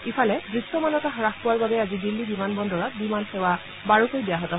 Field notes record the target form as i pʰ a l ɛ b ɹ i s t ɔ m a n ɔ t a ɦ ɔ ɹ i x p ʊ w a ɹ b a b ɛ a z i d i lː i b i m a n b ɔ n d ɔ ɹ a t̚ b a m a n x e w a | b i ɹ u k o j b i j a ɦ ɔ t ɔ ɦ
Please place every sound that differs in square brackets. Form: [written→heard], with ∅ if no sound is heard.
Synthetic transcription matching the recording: i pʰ a l ɛ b ɹ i s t ɔ m a n ɔ t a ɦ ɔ ɹ [i→a] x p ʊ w a ɹ b a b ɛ a z i d i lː i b i m a n b ɔ n d ɔ ɹ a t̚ b [a→i] m a n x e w a | b [i→a] ɹ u k o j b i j a ɦ ɔ t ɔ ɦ